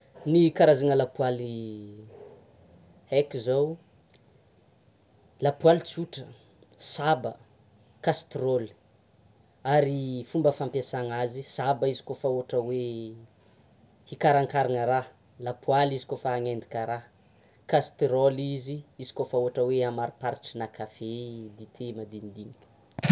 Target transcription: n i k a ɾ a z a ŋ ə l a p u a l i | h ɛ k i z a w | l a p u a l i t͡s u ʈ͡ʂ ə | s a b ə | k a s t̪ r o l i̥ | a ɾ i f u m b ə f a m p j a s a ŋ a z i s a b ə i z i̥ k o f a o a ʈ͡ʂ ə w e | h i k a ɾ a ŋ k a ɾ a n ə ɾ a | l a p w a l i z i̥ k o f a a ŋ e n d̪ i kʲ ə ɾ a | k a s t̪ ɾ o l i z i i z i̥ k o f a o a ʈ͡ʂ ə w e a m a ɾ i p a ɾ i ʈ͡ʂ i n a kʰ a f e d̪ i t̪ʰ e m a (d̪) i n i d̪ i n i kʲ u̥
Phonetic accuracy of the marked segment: correct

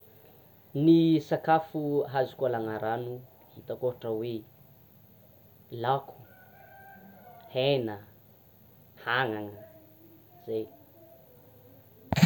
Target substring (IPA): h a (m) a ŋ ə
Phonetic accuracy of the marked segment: incorrect: ŋ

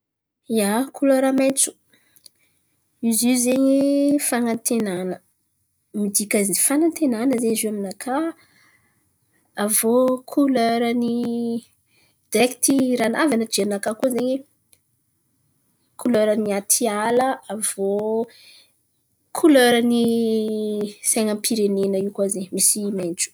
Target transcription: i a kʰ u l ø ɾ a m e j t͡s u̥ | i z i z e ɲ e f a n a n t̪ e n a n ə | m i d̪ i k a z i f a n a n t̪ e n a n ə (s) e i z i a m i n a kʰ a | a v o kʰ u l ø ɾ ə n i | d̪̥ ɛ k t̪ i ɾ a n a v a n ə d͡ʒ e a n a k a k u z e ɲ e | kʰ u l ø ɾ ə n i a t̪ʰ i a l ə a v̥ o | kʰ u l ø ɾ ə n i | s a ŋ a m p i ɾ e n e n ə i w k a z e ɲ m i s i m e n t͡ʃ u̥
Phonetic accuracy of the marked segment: incorrect: z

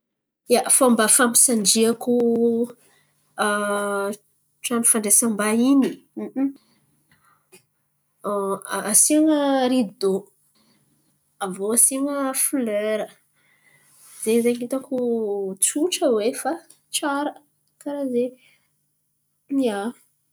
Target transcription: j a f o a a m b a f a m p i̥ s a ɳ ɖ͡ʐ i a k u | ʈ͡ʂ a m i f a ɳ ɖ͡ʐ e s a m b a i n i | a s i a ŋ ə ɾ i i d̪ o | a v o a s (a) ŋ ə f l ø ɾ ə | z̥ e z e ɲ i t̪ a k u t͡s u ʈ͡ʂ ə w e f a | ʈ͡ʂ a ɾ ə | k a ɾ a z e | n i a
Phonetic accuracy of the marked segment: incorrect: i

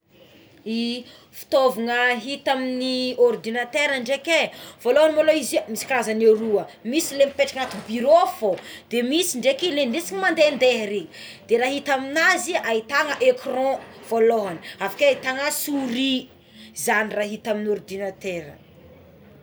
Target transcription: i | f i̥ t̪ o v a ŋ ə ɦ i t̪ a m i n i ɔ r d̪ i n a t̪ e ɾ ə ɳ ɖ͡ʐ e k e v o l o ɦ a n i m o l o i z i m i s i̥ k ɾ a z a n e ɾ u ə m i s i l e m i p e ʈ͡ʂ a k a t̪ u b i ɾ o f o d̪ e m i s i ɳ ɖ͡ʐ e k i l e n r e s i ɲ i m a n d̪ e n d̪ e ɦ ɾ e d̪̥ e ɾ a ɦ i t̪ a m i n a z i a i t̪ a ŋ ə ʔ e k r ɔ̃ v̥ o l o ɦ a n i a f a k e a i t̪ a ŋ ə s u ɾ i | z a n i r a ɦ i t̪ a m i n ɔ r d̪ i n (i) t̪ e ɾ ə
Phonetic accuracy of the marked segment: incorrect: a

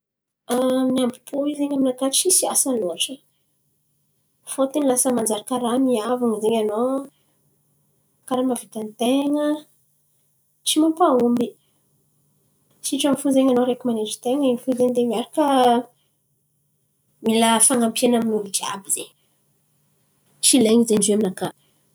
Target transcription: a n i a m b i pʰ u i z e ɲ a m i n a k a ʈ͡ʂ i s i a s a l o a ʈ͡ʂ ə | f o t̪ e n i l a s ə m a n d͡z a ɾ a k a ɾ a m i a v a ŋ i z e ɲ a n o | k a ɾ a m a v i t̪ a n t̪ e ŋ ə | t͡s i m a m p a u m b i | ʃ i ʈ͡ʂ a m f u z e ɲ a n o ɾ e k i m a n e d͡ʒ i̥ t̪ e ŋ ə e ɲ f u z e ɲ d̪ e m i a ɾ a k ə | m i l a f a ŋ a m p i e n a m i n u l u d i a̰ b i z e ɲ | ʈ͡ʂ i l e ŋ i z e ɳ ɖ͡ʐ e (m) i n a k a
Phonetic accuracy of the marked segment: correct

